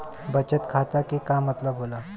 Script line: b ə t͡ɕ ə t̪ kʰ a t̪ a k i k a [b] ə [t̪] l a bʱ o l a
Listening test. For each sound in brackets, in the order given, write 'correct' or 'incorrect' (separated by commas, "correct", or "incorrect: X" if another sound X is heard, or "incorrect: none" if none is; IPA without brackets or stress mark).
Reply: incorrect: m, correct